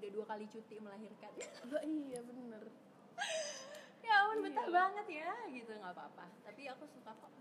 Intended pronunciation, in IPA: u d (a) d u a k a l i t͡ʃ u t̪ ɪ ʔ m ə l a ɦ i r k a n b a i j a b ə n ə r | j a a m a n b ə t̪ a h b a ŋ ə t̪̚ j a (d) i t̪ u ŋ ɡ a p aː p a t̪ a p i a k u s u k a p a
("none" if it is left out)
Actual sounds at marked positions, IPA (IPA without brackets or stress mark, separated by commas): a, ɡ